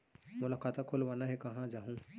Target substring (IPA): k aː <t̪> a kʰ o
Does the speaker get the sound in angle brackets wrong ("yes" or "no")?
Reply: no